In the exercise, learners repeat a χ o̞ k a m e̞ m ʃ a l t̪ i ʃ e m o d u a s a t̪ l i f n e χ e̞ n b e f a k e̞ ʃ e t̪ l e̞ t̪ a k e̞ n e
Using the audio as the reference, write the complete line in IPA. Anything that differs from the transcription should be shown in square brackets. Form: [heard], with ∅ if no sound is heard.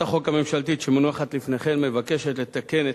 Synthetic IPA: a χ o̞ k a m e̞ m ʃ a l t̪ i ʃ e m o [n] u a [χ] a t̪ l i f n e χ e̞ n [m] e [v] a k e̞ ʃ e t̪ l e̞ t̪ a k e̞ n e